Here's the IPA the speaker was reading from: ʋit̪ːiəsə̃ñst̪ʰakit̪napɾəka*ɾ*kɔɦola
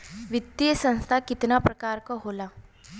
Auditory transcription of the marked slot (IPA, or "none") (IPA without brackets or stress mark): ɾ